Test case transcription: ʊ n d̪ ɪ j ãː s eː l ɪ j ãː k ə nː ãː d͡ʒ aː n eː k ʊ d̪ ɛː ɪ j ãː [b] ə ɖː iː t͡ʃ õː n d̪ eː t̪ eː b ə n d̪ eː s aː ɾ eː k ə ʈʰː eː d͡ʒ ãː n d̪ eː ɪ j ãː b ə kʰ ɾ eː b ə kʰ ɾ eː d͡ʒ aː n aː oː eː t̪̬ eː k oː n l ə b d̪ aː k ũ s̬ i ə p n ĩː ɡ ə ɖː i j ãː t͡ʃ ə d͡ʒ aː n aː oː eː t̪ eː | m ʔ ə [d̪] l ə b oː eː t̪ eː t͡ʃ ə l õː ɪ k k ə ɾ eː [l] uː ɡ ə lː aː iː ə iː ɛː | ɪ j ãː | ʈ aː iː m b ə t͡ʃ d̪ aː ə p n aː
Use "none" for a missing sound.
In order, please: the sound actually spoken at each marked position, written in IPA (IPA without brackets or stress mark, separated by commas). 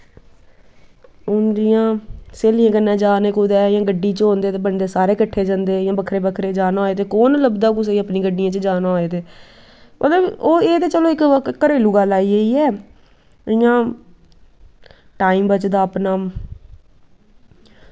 ɡ, t̪, l